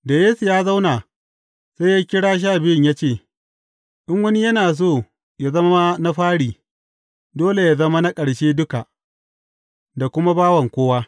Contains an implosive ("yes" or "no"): no